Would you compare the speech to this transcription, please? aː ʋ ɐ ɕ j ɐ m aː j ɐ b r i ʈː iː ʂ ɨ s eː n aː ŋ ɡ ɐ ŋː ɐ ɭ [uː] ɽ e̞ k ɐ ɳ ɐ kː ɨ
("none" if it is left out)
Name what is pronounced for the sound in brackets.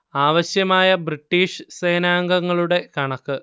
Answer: u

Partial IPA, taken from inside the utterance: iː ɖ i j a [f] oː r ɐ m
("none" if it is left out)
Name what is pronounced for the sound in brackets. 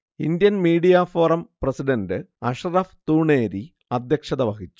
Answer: f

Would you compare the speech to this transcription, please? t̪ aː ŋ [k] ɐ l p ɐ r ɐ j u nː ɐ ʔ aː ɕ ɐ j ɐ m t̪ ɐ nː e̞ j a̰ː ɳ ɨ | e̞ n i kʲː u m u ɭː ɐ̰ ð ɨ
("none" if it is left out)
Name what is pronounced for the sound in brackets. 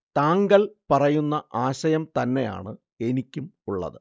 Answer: ɡ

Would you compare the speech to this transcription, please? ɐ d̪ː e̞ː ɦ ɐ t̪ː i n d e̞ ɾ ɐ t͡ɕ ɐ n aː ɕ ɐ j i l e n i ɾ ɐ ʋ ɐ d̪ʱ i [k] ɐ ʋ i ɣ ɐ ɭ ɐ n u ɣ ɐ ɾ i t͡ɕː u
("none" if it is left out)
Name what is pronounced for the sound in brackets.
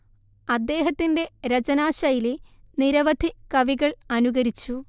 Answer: k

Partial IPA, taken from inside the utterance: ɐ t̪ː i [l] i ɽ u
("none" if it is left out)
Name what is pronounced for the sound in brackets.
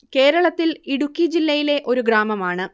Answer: l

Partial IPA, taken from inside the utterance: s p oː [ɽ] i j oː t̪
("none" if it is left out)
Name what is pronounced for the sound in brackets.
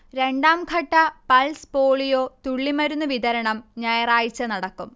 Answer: ɭ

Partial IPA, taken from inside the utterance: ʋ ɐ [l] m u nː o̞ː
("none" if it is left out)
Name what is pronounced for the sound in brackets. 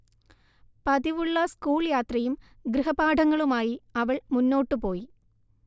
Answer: ɭ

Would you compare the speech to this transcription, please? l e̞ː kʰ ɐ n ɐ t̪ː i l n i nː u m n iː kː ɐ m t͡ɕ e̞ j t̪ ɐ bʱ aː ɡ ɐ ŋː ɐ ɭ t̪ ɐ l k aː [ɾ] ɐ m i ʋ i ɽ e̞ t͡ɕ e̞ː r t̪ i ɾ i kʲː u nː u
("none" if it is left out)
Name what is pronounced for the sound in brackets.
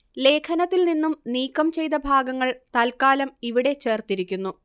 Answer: l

